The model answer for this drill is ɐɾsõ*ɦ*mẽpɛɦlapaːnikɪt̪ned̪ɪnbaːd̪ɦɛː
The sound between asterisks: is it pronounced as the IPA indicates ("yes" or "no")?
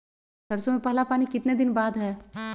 no